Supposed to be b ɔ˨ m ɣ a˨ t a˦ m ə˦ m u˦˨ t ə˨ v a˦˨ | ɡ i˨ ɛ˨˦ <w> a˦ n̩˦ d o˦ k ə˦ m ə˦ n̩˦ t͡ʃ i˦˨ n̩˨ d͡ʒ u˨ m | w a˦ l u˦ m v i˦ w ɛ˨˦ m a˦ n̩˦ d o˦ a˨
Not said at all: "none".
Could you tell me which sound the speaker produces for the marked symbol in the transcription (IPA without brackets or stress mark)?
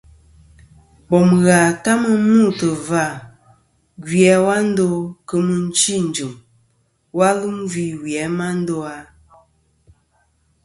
w